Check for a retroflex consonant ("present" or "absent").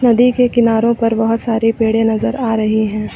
present